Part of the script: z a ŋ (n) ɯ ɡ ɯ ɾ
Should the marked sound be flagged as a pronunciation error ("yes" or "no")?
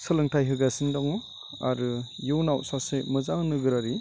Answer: no